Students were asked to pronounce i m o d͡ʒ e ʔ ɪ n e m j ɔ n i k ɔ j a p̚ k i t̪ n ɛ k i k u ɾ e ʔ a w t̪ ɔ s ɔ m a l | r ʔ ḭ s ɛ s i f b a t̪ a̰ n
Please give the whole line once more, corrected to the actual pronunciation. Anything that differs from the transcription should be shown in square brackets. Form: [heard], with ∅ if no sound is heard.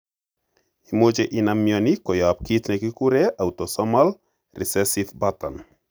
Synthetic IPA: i m o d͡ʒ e ʔ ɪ n [a] m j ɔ n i k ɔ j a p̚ k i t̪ n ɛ k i k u ɾ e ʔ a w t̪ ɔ s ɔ m a l | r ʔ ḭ s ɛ s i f b a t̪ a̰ n